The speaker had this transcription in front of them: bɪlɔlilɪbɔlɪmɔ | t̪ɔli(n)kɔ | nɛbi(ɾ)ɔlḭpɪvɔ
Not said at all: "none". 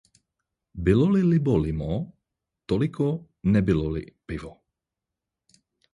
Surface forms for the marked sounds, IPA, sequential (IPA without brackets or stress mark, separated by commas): none, l